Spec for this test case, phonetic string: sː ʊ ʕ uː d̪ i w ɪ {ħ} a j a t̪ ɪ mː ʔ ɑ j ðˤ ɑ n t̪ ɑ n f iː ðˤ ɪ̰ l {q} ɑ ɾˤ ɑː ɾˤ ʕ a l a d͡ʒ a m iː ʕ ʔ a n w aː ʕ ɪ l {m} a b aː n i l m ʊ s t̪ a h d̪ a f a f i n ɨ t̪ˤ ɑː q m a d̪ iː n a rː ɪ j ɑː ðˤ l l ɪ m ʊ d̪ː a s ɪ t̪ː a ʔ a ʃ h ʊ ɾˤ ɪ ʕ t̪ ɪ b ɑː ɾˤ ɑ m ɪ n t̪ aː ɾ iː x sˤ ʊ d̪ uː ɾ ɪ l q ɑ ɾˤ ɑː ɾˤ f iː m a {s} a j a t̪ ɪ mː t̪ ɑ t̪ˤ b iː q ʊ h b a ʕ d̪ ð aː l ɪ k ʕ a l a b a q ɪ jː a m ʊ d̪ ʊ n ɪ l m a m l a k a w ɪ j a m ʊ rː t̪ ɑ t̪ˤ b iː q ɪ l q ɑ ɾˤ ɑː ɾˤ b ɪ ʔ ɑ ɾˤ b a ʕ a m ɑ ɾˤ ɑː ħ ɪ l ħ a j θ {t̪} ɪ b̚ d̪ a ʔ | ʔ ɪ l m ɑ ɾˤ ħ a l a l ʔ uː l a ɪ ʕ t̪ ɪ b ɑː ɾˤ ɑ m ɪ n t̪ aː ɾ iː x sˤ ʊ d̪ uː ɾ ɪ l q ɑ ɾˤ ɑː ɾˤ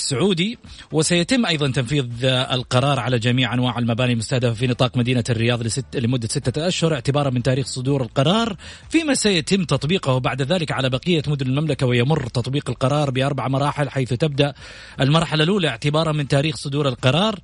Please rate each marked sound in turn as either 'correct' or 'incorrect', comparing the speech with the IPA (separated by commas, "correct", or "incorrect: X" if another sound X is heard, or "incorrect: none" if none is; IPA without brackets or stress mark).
incorrect: s, correct, correct, correct, correct